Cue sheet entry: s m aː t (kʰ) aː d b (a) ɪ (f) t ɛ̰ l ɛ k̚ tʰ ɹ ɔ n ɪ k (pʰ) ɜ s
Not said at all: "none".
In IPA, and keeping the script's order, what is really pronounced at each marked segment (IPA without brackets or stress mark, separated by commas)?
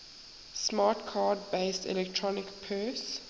kʰ, e, s, pʰ